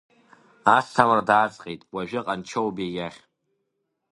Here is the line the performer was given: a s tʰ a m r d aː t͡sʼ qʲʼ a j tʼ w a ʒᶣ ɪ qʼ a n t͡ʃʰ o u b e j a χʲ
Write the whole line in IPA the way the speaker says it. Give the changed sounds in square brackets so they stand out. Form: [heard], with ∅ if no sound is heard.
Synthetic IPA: a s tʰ a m r d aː t͡sʼ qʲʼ [e] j tʼ w a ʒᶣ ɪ qʼ a n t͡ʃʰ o [w] b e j a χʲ